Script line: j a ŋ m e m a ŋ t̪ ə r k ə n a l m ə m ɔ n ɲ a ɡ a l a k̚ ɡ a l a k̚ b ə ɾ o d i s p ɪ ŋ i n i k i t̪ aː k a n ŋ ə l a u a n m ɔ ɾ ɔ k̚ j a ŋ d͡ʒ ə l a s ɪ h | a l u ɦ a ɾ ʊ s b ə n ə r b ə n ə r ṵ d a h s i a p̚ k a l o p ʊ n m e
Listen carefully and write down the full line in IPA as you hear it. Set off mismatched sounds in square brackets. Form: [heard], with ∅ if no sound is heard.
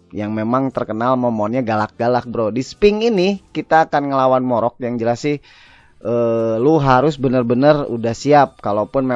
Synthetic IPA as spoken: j a ŋ m e m a ŋ t̪ ə r k ə n a l m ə m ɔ n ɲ a ɡ a l a k̚ ɡ a l a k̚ b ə ɾ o d i s p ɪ ŋ i n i k i t̪ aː k a n ŋ ə l a [w] a n m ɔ ɾ ɔ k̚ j a ŋ d͡ʒ ə l a s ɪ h | [ə] l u ɦ a ɾ ʊ s b ə n ə r b ə n ə r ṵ d a h s i a p̚ k a l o p ʊ n m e